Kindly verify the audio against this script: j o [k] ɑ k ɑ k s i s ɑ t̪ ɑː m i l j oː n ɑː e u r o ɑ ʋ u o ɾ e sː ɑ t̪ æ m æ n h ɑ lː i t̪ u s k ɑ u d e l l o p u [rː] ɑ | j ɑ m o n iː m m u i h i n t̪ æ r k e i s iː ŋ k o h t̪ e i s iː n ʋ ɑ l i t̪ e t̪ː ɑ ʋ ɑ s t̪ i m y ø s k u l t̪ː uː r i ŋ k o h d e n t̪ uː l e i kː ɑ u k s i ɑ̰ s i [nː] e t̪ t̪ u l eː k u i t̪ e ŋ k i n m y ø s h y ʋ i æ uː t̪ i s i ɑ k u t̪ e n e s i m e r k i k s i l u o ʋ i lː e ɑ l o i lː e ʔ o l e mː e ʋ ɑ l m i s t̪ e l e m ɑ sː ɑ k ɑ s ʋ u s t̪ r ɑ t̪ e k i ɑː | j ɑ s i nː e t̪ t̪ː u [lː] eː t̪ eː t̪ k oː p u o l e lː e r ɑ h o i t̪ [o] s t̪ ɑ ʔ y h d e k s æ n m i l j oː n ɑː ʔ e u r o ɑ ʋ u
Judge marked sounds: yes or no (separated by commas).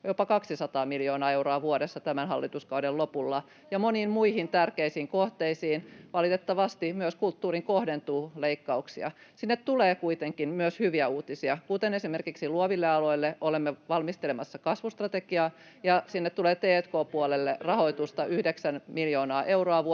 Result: no, no, yes, no, no